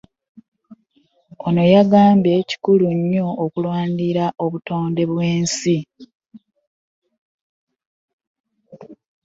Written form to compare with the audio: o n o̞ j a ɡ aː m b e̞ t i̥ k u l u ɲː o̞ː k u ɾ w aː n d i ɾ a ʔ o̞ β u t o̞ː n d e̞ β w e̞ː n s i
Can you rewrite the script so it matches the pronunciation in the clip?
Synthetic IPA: o n o̞ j a ɡ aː m b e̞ c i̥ k u l u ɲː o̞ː k u l w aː n d i ɾ a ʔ o̞ β u t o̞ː n d e̞ β w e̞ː n s i

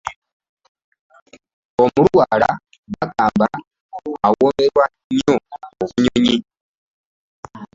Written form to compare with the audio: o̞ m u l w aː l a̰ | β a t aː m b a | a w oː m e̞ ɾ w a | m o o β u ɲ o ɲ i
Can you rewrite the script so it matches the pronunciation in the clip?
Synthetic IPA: o̞ m u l w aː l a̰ | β a k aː m b a | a w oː m e̞ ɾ w a | ɲ o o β u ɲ o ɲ i

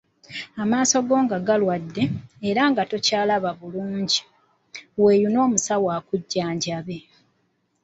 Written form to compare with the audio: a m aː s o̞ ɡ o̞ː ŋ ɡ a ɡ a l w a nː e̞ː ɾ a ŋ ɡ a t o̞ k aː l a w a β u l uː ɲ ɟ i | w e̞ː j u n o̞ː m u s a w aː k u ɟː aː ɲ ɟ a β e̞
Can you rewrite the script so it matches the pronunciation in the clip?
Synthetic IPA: a m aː s o̞ ɡ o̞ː ŋ ɡ a ɡ a l w a dː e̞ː ɾ a ŋ ɡ a t o̞ c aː l a β a β u l uː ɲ ɟ i | w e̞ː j u n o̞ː m u s a w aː k u ɟː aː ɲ ɟ a β e̞

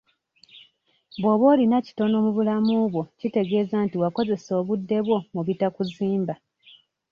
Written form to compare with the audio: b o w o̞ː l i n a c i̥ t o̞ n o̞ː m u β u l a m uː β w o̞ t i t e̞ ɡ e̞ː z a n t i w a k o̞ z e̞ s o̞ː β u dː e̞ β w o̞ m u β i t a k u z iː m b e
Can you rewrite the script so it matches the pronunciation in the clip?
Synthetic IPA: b o β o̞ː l i n a c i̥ t o̞ n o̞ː m u β u l a m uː β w o̞ c i t e̞ ɡ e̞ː z a n t i w a k o̞ z e̞ s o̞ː β u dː e̞ β w o̞ m u β i t a k u z iː m b a

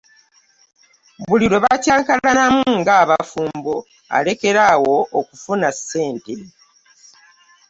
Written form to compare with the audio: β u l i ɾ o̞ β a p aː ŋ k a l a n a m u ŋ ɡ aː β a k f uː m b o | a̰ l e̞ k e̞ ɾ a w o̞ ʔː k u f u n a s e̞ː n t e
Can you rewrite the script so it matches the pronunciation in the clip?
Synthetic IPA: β u l i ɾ o̞ β a c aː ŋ k a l a n a m u ŋ ɡ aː β a f uː m b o | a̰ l e̞ k e̞ ɾ a w o̞ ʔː k u f u n a s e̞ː n t e

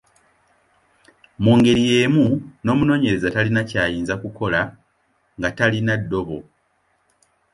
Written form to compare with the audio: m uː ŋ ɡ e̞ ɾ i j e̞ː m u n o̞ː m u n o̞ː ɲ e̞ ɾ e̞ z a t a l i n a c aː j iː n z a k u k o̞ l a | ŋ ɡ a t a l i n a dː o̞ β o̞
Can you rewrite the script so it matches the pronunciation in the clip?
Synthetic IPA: m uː ŋ ɡ e̞ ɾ i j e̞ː m u n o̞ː m u n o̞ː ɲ e̞ ɾ e̞ z a t a l i n a c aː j iː n z a k u k o̞ l a | ŋ ɡ a t a l i n a dː o̞ β o̞

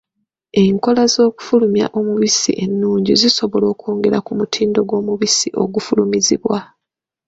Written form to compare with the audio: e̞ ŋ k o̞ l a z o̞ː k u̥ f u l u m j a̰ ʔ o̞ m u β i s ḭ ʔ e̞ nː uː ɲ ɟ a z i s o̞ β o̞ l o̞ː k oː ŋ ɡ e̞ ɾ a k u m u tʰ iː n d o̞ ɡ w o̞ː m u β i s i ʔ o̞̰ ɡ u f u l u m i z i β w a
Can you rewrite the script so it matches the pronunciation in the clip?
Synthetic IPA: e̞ ŋ k o̞ l a z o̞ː k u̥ f u l u m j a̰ ʔ o̞ m u β i s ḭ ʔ e̞ nː uː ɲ ɟ i z i s o̞ β o̞ l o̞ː k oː ŋ ɡ e̞ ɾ a k u m u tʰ iː n d o̞ ɡ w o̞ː m u β i s i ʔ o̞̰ ɡ u f u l u m i z i β w a

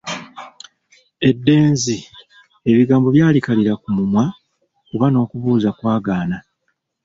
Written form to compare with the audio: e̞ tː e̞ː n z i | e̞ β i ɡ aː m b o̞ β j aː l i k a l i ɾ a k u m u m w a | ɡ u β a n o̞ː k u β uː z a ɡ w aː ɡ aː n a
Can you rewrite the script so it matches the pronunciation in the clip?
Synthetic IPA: e̞ dː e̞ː n z i | e̞ β i ɡ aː m b o̞ β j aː l i k a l i ɾ a k u m u m w a | k u β a n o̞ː k u β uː z a k w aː ɡ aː n a

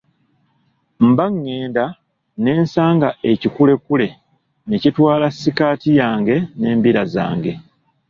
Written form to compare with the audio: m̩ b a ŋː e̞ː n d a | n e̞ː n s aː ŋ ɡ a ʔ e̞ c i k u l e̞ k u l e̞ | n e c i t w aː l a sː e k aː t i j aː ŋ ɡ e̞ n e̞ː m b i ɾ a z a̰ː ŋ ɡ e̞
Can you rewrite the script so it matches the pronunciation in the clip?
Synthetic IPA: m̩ b a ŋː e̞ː n d a | n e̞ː n s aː ŋ ɡ a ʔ e̞ c i k u l e̞ k u l e̞ | n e c i t w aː l a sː i k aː t i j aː ŋ ɡ e̞ n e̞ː m b i ɾ a z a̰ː ŋ ɡ e̞

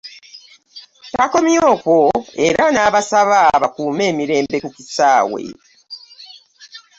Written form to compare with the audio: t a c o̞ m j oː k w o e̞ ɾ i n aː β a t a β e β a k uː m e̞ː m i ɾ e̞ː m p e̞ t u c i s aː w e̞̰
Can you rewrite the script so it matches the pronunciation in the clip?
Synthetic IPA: t a k o̞ m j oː k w o e̞ ɾ a n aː β a s a β a β a k uː m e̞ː m i ɾ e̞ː m b e̞ k u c i s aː w e̞̰

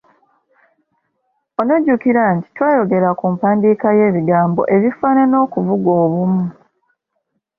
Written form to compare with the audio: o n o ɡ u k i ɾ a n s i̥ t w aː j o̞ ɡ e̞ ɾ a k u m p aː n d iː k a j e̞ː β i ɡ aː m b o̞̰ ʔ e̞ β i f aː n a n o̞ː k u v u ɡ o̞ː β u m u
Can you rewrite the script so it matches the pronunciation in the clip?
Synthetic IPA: o n o ɟ u k i ɾ a n t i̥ t w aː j o̞ ɡ e̞ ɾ a k u m p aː n d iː k a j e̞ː β i ɡ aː m b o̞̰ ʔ e̞ β i f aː n a n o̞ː k u v u ɡ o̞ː β u m u

